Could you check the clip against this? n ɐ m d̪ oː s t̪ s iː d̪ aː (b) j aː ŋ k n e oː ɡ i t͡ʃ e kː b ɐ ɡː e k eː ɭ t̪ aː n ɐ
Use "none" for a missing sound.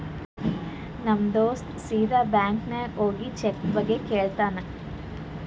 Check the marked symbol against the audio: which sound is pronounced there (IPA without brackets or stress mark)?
b